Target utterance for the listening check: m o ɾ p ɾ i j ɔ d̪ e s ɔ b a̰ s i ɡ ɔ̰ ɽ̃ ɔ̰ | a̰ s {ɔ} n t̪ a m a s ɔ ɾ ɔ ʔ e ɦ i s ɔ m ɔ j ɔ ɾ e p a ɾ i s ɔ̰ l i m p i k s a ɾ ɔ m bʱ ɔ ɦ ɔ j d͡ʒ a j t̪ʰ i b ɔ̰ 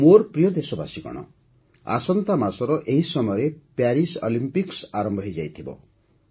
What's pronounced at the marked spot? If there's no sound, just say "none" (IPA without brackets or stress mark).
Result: ɔ